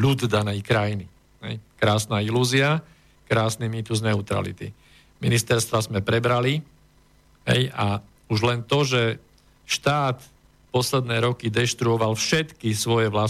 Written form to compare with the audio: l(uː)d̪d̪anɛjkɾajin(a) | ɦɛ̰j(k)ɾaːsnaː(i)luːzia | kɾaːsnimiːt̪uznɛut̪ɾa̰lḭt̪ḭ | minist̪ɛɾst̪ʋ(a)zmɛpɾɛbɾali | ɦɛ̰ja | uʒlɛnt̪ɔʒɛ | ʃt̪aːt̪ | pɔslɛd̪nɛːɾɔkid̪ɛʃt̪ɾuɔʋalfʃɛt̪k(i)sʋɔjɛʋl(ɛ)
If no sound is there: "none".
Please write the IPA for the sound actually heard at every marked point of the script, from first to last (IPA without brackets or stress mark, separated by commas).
u, i, k, i, a, i, a